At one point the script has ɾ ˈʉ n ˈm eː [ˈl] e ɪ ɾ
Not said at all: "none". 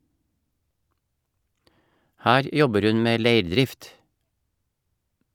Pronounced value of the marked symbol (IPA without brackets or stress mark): l